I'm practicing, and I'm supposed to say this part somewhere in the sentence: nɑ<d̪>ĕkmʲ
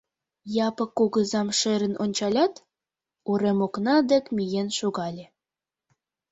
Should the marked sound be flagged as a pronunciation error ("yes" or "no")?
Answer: no